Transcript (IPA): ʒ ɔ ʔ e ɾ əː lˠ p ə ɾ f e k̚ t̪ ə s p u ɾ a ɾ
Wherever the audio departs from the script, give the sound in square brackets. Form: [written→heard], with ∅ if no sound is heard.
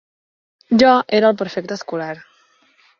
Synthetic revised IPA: ʒ ɔ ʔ e ɾ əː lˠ p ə ɾ f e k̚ t̪ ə s [p→k] u [ɾ→l] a ɾ